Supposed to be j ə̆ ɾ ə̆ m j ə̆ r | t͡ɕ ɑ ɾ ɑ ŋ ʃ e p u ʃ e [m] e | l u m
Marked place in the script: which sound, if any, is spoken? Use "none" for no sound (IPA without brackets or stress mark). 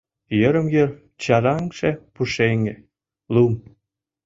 ŋ